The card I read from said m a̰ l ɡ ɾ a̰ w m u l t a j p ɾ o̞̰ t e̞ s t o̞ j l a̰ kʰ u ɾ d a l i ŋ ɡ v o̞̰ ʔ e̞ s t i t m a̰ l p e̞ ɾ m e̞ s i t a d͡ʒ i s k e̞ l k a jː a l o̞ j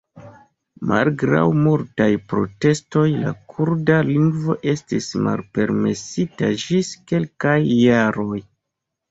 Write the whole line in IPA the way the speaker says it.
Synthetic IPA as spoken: m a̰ l ɡ ɾ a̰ w m u l t a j p ɾ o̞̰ t e̞ s t o̞ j l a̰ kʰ u ɾ d a l i ŋ ɡ v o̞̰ ʔ e̞ s t i s m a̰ l p e̞ ɾ m e̞ s i t a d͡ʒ i s k e̞ l k a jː a ɾ o̞ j